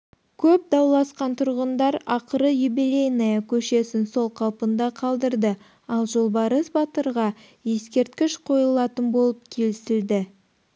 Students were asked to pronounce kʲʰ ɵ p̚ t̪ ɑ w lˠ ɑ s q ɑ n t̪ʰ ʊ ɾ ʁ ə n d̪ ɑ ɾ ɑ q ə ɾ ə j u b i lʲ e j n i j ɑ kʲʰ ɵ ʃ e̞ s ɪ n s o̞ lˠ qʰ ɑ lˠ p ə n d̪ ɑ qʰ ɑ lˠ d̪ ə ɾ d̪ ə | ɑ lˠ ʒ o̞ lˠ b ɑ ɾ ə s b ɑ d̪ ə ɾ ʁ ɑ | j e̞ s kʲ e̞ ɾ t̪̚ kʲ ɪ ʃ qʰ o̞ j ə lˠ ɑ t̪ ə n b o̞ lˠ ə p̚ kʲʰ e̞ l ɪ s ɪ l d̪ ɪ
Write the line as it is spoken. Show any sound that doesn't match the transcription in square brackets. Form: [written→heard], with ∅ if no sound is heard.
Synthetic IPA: kʲʰ ɵ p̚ [t̪→d̪] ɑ w lˠ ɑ s q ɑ n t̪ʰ ʊ ɾ ʁ ə n d̪ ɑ ɾ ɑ q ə ɾ ə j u b i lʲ e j n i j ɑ kʲʰ ɵ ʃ e̞ s ɪ n s o̞ lˠ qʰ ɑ lˠ p ə n d̪ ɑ qʰ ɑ lˠ d̪ ə ɾ d̪ ə | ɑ lˠ ʒ o̞ lˠ b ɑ ɾ ə s b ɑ [d̪→t̪] ə ɾ ʁ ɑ | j e̞ s kʲ e̞ ɾ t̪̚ kʲ ɪ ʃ qʰ o̞ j ə lˠ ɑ t̪ ə n b o̞ lˠ ə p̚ kʲʰ e̞ l ɪ s ɪ l d̪ ɪ